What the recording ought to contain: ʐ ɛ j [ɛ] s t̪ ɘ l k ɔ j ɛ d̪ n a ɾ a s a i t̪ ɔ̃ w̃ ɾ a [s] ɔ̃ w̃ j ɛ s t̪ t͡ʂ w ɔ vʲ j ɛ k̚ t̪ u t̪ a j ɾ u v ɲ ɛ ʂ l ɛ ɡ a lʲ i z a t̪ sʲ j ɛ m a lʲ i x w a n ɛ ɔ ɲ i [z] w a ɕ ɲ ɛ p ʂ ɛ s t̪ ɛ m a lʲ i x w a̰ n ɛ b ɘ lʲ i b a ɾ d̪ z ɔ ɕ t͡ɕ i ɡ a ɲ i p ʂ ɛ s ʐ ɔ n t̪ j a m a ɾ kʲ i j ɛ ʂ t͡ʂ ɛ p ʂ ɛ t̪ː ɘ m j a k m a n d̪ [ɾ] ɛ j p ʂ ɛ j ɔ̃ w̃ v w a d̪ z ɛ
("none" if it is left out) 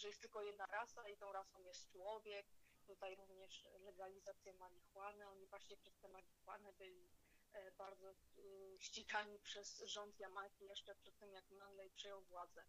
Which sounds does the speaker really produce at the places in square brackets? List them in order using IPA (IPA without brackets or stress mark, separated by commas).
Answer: ɛ, s, v, l